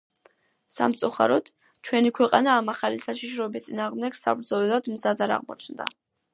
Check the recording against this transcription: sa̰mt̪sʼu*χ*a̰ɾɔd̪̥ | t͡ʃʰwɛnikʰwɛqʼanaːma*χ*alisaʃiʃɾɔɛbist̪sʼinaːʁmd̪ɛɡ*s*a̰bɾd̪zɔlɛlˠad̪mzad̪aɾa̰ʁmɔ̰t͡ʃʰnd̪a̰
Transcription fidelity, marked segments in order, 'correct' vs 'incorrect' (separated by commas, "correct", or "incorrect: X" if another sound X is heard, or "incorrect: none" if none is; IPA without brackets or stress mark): correct, correct, correct